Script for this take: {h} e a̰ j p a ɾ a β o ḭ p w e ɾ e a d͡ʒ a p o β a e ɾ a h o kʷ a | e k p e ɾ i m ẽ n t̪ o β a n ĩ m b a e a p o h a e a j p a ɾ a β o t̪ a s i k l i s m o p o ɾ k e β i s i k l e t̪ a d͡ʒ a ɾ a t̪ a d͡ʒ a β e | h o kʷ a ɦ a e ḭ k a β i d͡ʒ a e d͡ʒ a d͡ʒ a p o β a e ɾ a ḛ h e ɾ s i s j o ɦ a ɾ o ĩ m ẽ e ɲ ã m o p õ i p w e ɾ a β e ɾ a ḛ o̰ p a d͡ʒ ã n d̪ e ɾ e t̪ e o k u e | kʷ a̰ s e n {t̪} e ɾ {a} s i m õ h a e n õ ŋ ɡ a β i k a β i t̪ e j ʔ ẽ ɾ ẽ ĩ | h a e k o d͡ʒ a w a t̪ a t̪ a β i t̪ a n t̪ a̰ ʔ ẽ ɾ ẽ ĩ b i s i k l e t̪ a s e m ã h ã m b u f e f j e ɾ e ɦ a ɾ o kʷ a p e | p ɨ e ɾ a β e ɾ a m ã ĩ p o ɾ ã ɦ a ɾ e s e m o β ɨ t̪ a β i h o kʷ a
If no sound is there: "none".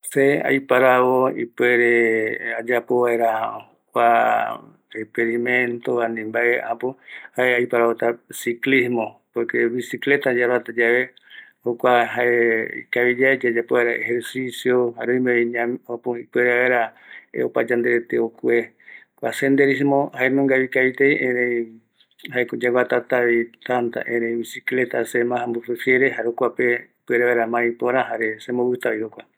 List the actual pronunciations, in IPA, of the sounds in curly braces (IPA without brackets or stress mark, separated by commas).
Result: s, d̪, i